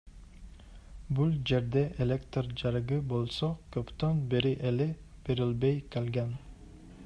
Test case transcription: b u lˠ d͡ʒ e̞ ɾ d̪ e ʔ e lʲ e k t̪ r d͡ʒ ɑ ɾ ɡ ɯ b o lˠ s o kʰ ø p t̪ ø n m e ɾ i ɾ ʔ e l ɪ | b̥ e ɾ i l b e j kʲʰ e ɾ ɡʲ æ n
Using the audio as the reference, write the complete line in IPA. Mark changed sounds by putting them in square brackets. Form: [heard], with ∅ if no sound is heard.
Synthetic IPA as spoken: b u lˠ d͡ʒ e̞ ɾ d̪ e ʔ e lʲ e k t̪ r d͡ʒ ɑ ɾ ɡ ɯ b o lˠ s o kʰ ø p t̪ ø n [b] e ɾ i [∅] ʔ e l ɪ | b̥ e ɾ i l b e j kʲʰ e [l] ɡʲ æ n